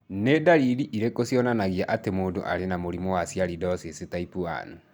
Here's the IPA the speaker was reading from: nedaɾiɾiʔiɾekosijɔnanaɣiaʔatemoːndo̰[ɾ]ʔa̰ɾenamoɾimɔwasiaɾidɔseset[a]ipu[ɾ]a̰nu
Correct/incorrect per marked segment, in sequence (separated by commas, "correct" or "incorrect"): incorrect, correct, incorrect